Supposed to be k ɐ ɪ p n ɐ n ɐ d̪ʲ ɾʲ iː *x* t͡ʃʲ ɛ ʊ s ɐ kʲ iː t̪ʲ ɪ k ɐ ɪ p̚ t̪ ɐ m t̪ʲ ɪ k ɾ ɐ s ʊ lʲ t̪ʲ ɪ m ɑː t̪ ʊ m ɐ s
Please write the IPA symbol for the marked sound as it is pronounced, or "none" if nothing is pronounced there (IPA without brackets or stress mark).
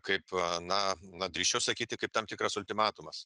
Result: ʃ